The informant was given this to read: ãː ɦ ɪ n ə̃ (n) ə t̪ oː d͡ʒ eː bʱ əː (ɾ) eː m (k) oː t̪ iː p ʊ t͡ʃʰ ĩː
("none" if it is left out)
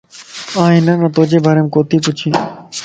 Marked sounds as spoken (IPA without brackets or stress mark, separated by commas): n, ɾ, k